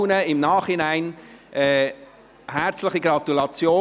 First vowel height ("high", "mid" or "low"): mid